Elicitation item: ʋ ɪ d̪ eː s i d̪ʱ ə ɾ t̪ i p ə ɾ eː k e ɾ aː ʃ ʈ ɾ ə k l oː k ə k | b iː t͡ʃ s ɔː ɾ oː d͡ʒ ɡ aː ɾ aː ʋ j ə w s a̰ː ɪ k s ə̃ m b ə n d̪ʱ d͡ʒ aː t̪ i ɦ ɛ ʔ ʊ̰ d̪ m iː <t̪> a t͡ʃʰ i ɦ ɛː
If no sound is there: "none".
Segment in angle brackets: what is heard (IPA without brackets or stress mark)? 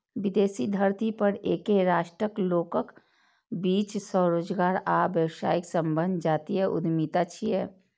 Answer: t̪